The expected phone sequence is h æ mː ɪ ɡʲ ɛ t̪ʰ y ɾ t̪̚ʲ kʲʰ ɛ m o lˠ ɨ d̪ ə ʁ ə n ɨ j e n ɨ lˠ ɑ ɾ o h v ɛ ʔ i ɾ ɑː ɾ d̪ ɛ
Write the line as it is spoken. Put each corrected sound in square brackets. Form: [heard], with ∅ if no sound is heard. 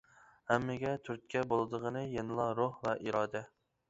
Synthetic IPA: h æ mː ɪ ɡʲ ɛ t̪ʰ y ɾ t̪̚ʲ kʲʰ ɛ [b] o lˠ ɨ d̪ ə ʁ ə n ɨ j e n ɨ lˠ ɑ ɾ o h v ɛ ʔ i ɾ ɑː [∅] d̪ ɛ